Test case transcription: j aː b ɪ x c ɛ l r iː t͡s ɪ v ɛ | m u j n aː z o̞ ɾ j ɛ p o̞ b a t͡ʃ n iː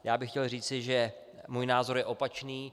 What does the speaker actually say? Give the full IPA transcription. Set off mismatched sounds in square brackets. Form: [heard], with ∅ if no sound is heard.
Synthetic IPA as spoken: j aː b ɪ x c ɛ l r iː t͡s ɪ [ʒ] ɛ | m [uː] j n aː z o̞ ɾ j ɛ [ʔ] o̞ [p] a t͡ʃ n iː